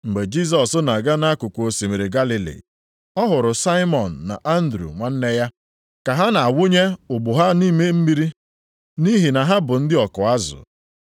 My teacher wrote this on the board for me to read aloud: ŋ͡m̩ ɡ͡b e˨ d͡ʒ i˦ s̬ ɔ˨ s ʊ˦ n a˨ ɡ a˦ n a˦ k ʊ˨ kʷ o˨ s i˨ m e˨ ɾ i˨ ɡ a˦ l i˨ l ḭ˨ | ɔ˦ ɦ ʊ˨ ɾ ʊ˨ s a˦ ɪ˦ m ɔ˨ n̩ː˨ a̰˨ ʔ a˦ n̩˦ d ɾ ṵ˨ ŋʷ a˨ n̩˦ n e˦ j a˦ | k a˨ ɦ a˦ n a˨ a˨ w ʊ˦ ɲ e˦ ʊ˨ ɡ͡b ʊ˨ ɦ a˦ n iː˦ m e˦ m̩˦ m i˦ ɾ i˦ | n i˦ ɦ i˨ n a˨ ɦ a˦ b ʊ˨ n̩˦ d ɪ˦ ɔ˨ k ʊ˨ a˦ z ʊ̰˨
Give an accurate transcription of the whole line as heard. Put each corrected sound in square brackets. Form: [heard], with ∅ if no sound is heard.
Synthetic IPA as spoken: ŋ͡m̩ ɡ͡b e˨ d͡ʒ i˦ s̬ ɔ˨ s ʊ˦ n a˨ ɡ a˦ n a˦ k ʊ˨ kʷ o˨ s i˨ m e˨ ɾ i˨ ɡ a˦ l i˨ l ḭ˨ | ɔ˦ ɦ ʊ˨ ɾ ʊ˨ s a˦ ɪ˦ m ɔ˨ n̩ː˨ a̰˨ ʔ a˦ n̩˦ d ɾ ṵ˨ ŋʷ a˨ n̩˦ n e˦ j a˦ | k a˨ ɦ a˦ n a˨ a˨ w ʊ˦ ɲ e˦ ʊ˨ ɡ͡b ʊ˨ ɦ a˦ n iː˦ m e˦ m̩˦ m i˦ ɾ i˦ | n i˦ ɦ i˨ n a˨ ɦ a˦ b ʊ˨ n̩˦ d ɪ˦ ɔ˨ k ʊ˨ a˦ z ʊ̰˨